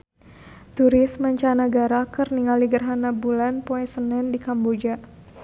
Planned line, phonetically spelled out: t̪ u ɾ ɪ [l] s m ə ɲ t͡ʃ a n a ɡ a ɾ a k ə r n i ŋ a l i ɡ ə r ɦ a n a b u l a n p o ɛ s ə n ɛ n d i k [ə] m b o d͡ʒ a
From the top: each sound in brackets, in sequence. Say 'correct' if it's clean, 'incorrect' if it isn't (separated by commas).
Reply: incorrect, incorrect